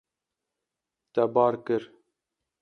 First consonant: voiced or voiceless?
voiceless